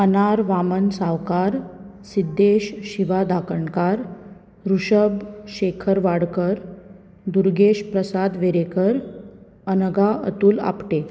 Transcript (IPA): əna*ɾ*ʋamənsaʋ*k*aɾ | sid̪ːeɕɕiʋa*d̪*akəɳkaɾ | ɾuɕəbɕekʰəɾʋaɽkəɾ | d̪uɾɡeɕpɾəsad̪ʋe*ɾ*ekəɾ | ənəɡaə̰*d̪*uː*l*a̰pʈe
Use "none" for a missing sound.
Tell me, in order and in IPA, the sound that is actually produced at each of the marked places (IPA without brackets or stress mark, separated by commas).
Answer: ɾ, k, d̪, ɾ, t̪, l